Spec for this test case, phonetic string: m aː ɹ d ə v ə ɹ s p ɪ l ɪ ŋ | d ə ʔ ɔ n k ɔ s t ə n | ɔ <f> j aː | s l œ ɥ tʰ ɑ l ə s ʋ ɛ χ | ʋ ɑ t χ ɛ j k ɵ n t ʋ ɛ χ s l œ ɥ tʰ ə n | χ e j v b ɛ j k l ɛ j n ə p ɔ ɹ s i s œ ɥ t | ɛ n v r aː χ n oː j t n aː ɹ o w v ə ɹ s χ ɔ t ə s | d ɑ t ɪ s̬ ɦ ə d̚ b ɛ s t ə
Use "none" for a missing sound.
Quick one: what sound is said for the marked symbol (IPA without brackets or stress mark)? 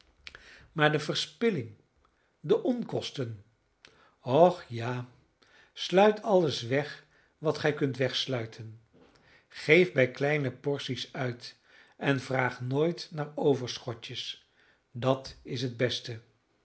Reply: χ